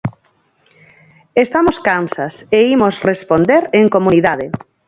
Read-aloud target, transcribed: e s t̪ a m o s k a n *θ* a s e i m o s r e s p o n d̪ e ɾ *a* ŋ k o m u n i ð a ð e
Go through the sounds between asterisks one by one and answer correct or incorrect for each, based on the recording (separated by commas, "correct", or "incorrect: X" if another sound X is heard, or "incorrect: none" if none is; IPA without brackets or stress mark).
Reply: incorrect: s, incorrect: e